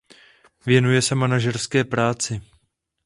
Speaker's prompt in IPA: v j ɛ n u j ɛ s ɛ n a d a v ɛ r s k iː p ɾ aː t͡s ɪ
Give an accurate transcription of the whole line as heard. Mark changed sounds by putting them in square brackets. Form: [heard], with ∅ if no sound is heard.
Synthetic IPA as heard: v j ɛ n u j ɛ s ɛ [m] a [n] a [ʒ] ɛ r s k [ɛː] p ɾ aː t͡s ɪ